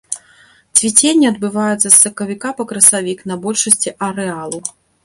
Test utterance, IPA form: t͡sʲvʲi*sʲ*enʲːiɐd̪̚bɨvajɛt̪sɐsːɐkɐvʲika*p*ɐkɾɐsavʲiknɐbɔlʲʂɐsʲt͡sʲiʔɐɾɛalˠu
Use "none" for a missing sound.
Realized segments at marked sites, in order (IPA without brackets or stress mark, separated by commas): t͡sʲ, p